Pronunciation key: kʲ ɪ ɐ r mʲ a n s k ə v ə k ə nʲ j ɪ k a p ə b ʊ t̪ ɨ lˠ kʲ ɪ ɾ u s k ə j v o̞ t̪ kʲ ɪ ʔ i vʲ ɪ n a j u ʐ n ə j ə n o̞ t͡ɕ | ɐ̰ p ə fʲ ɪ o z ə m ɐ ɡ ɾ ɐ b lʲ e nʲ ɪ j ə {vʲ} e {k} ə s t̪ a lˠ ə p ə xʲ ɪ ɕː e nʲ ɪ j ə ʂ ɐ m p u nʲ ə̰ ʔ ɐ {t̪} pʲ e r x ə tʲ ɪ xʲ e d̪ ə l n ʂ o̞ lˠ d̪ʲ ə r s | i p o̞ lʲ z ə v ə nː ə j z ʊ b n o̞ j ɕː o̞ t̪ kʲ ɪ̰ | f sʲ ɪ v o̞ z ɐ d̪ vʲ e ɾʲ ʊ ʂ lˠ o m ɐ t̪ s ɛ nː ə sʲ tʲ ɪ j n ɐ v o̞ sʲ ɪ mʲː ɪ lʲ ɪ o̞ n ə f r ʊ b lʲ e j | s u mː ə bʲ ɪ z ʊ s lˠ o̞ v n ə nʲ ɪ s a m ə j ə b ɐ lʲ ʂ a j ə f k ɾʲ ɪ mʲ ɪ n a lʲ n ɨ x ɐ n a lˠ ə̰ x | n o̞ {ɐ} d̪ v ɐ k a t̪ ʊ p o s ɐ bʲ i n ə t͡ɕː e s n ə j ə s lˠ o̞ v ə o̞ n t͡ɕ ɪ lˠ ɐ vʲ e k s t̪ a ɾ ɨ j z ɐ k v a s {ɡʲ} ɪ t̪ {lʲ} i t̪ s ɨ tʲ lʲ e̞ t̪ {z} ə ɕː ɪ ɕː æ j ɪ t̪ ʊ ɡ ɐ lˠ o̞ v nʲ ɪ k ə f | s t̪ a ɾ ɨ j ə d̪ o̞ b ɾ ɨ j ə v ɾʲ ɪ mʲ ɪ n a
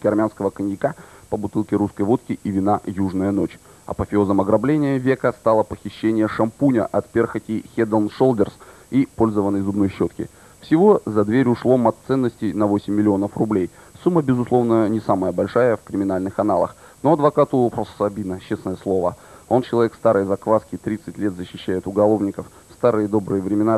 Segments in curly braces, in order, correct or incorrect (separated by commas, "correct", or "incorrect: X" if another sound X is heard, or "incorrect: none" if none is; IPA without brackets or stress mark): correct, correct, correct, correct, incorrect: kʲ, incorrect: ɾʲ, correct